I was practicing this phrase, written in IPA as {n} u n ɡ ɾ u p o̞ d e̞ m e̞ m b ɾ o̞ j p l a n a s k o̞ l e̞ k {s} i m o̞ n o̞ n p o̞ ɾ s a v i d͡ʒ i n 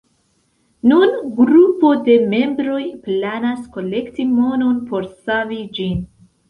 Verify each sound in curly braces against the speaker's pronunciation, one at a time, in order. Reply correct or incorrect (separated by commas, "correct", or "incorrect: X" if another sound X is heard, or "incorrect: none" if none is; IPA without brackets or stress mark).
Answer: correct, incorrect: t